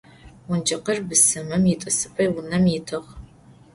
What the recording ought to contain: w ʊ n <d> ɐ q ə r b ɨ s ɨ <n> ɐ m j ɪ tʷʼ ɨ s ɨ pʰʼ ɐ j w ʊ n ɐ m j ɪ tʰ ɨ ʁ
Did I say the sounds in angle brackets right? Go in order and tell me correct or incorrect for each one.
incorrect: d͡ʒ, incorrect: m

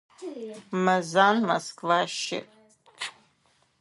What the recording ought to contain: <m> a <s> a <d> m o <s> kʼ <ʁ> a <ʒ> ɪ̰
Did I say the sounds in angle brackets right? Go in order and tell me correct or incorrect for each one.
correct, incorrect: z, incorrect: n, correct, incorrect: v, incorrect: ʃ

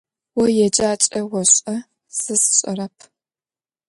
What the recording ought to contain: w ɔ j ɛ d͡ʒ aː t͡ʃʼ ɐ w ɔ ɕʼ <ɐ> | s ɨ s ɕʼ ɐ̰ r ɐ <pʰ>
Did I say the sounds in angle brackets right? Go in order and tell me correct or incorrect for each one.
correct, correct

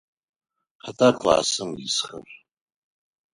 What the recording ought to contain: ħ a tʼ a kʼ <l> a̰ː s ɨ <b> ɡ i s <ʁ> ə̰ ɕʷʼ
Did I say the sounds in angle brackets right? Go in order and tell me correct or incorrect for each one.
correct, incorrect: m, incorrect: χ

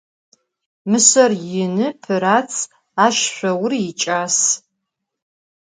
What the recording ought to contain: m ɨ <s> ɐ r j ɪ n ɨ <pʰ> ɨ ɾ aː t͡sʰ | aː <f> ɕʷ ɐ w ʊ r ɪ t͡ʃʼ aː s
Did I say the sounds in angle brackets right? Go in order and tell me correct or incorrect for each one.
correct, correct, incorrect: ʃ

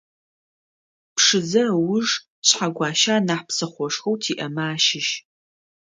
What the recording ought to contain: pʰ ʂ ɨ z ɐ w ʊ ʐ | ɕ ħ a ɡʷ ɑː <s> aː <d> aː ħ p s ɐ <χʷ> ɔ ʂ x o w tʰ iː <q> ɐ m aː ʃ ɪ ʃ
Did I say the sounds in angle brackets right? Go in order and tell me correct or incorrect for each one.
incorrect: ʃ, incorrect: n, correct, incorrect: ʔ

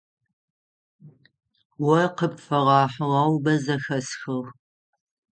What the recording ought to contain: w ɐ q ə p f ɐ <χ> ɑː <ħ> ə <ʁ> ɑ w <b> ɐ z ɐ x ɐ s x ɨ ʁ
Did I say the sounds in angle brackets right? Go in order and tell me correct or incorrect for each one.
incorrect: ʁ, correct, correct, correct

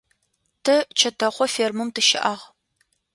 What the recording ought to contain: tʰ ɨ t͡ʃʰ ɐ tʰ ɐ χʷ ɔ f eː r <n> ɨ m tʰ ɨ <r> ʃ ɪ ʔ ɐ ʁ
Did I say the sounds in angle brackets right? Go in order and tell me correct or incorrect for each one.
incorrect: m, incorrect: none

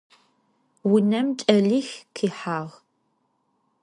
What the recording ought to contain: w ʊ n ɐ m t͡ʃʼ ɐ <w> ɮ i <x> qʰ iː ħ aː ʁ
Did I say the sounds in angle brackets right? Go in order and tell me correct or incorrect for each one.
incorrect: none, correct

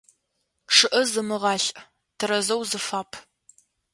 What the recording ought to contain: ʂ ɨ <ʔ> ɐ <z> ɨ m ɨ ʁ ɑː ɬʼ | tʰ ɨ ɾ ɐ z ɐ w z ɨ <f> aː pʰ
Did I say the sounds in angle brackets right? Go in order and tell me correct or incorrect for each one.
correct, correct, correct

